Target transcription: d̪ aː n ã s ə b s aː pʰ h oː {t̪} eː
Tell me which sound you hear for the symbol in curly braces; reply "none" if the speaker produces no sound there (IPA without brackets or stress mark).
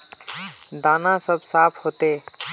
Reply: t̪